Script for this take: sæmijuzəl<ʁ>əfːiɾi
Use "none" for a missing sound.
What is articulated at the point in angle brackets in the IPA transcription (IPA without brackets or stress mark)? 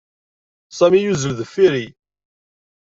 ð